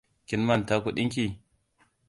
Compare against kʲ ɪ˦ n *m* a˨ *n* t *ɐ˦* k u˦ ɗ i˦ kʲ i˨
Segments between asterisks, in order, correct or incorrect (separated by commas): correct, correct, incorrect